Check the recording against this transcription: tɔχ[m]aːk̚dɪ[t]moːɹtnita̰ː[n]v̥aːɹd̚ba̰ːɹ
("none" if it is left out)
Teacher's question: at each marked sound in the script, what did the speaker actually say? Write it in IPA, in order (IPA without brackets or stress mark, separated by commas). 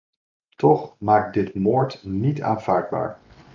m, t, n